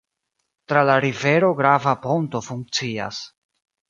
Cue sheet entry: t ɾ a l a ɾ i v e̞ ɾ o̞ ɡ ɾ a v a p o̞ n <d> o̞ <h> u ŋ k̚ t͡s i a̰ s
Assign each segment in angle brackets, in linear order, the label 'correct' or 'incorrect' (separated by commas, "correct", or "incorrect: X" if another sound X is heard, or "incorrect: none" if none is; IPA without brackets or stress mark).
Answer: incorrect: t, incorrect: f